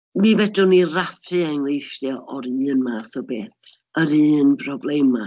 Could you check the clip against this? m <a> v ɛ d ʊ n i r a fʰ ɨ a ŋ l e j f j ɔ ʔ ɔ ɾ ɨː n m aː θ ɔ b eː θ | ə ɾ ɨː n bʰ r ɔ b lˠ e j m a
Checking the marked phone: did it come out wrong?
yes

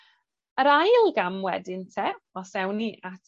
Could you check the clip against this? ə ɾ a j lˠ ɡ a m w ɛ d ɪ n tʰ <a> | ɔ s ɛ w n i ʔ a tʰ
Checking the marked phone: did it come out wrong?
yes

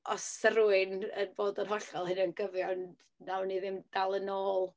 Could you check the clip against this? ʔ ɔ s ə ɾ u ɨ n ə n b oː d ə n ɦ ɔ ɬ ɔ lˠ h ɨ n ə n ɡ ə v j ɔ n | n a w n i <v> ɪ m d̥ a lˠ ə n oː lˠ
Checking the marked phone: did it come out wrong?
yes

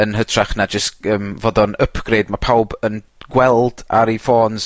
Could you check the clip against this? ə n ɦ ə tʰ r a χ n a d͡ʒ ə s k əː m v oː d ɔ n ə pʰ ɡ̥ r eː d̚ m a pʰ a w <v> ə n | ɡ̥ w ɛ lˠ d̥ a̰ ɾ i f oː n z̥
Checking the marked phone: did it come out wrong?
yes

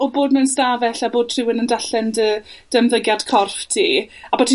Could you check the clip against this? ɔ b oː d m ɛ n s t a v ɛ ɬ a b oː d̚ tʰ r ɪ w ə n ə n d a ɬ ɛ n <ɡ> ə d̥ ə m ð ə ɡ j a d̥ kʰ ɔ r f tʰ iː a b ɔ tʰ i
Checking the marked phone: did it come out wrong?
yes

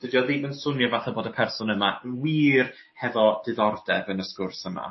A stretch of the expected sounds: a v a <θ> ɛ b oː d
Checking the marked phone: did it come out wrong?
no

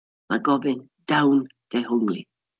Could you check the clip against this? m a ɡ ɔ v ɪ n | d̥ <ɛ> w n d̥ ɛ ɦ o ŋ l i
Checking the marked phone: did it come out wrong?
yes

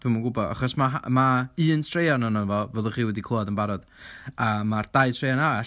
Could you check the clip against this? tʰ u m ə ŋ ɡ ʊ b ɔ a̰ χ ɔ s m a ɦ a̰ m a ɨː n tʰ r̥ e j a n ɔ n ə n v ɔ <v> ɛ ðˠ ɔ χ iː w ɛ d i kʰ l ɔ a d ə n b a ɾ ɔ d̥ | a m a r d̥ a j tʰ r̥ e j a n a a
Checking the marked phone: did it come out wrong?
no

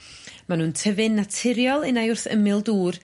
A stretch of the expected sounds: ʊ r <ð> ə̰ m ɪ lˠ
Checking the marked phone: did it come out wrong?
yes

